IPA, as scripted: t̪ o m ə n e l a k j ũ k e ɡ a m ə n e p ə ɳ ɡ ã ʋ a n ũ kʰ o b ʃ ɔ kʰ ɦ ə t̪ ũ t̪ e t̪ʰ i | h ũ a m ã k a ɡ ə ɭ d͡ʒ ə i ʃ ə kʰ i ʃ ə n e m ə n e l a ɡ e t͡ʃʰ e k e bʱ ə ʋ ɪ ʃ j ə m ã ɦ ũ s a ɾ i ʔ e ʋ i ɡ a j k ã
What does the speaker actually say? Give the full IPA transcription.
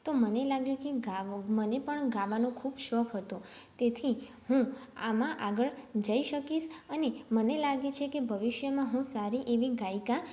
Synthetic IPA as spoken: t̪ o m ə n e l a ɡ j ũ k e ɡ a m ə n e p ə ɳ ɡ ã ʋ a n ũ kʰ u b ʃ ɔ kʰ ɦ ə t̪ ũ t̪ e t̪ʰ i | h ũ a m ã ʔ a ɡ ə ɭ d͡ʒ ə i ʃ ə k i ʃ ə n e m ə n e l a ɡ e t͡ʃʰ e k e bʱ ə ʋ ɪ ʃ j ə m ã ɦ ũ s a ɾ i ʔ e ʋ i ɡ a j k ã